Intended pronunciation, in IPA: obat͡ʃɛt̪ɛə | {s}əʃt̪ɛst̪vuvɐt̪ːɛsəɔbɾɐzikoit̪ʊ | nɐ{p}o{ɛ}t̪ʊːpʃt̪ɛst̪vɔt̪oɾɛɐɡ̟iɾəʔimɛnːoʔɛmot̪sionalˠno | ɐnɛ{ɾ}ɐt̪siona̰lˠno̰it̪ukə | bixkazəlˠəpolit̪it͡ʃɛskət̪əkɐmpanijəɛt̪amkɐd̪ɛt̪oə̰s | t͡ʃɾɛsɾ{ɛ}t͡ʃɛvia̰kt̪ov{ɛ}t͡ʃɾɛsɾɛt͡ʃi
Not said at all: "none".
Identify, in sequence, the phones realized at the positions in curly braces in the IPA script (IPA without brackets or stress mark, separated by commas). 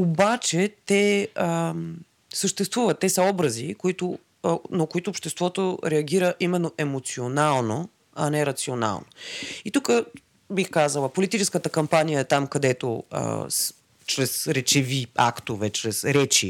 s, k, i, ɾ, ɛ, ɛ